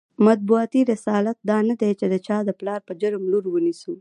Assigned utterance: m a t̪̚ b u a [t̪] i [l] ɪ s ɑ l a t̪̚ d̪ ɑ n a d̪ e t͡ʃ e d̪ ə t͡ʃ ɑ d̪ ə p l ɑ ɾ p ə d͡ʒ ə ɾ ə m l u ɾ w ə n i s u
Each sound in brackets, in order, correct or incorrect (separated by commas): correct, incorrect